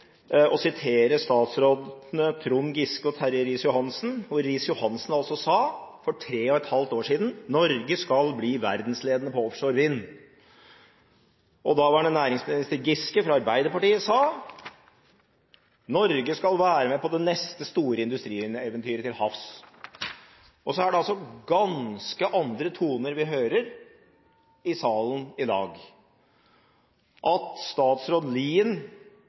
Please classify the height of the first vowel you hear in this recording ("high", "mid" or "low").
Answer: mid